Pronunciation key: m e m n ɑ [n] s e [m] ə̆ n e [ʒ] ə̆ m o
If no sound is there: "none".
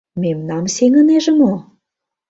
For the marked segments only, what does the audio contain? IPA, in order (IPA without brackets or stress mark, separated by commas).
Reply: m, ŋ, ʒ